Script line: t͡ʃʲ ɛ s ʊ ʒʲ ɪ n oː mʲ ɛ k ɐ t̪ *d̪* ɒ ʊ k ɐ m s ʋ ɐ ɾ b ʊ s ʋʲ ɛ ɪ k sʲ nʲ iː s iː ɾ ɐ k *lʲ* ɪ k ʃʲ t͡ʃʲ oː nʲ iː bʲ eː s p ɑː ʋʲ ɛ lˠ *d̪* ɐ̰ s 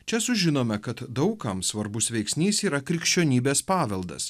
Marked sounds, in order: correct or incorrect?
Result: correct, incorrect, correct

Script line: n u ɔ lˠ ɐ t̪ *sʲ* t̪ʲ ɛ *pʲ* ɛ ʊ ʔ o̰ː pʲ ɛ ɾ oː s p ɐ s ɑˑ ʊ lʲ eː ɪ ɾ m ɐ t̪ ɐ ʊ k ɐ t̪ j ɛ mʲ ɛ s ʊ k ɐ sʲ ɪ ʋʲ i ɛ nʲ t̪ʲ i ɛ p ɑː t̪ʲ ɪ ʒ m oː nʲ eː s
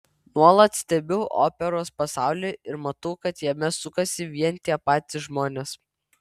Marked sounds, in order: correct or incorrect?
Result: correct, incorrect

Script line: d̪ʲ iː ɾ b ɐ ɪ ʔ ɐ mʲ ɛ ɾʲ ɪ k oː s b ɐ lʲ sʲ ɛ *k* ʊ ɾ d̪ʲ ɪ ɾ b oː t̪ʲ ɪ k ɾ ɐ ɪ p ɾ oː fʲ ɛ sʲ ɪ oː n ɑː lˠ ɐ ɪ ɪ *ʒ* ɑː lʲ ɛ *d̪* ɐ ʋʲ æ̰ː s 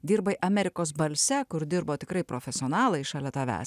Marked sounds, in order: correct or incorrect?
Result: correct, incorrect, incorrect

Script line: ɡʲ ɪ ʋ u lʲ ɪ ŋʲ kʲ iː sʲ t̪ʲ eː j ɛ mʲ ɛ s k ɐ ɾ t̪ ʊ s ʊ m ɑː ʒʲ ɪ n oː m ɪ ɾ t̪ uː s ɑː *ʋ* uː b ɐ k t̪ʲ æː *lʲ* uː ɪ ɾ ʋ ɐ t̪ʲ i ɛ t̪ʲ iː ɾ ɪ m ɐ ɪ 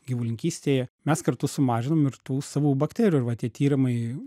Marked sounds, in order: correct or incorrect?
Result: correct, incorrect

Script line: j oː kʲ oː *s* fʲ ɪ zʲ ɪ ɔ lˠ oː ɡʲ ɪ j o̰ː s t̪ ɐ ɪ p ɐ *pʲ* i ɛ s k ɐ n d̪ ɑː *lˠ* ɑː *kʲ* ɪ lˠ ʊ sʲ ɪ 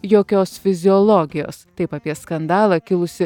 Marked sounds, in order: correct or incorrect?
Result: correct, correct, correct, correct

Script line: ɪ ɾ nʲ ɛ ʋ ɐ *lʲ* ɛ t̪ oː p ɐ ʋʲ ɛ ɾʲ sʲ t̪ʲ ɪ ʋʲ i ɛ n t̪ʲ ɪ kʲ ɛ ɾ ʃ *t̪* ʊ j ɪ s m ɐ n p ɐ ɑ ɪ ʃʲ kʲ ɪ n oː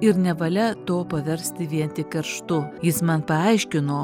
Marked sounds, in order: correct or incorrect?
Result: correct, correct

